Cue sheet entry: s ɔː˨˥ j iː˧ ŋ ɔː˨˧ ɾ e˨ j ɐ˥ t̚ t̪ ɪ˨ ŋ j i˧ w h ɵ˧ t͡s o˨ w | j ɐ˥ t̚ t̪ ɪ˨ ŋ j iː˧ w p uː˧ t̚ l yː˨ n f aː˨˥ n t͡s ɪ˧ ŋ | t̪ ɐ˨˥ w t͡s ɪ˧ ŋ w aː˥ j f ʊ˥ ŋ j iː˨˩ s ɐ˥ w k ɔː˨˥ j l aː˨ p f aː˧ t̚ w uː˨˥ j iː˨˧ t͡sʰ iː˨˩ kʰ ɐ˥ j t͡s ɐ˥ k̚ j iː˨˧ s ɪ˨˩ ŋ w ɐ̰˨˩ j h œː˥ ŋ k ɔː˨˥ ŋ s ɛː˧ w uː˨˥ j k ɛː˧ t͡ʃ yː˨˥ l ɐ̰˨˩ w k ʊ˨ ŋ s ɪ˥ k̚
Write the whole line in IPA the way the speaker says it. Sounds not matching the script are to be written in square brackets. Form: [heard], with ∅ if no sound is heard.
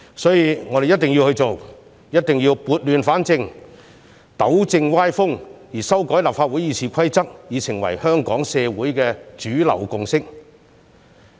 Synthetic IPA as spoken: s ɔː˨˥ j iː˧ ŋ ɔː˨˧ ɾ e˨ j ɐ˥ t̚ t̪ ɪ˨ ŋ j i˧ w h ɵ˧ t͡s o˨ w | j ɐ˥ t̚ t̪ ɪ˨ ŋ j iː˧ w p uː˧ t̚ l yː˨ n f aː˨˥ n t͡s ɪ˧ ŋ | t̪ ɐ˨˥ w t͡s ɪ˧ ŋ w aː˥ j f ʊ˥ ŋ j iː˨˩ s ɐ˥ w k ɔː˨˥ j l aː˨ p f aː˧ t̚ w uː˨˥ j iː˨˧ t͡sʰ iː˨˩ kʰ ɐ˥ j t͡s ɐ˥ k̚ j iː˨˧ s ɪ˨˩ ŋ w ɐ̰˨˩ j h œː˥ ŋ k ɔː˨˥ ŋ s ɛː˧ w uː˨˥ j k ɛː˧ t͡ʃ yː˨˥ l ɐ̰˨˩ w k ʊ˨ ŋ s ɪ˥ k̚